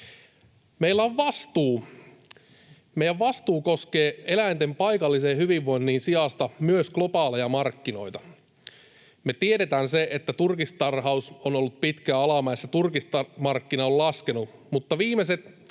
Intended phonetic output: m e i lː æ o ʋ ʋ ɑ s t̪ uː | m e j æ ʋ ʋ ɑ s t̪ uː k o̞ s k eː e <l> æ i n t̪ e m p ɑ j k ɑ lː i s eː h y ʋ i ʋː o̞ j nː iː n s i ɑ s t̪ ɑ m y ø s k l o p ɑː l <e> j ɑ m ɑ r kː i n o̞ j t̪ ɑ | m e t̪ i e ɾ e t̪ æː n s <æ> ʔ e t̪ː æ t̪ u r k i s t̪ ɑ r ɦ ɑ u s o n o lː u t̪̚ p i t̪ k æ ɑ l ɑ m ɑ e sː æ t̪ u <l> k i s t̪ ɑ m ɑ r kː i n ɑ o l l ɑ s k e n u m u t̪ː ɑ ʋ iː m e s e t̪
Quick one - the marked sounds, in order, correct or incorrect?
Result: correct, correct, incorrect: e, incorrect: r

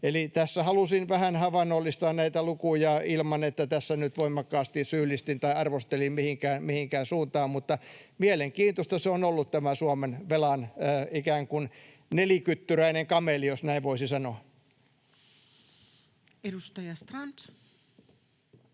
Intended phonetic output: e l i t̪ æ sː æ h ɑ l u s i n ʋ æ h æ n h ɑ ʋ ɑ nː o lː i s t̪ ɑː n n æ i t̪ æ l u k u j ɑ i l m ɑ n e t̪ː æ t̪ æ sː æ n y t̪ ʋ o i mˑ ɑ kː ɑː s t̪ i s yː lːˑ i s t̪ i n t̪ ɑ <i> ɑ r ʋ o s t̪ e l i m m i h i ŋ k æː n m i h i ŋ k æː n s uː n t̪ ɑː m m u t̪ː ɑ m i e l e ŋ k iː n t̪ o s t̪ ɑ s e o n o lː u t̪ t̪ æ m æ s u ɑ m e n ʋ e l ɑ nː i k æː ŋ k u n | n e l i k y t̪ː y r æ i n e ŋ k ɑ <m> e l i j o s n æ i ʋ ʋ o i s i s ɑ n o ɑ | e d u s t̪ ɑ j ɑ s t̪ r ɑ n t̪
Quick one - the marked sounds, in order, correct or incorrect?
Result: correct, correct

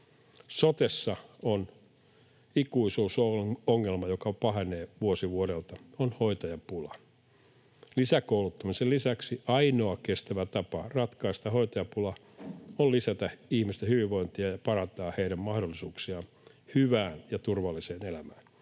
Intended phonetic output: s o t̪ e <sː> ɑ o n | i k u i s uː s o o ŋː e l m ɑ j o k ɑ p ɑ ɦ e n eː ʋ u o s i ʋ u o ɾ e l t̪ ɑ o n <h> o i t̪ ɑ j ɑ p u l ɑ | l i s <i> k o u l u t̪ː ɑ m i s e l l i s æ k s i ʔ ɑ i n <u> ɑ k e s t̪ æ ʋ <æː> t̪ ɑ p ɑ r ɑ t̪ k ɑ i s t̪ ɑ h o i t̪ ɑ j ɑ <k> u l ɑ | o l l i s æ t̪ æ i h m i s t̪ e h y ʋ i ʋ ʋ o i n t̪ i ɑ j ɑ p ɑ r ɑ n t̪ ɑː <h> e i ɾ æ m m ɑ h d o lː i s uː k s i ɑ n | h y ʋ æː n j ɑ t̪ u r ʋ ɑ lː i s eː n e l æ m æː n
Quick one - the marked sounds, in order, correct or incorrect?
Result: correct, correct, incorrect: æ, incorrect: o, incorrect: æ, incorrect: p, correct

